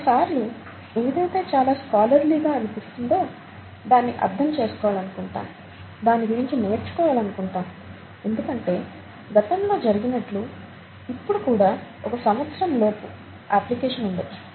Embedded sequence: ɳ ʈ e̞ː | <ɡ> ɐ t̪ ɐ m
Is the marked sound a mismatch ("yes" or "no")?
no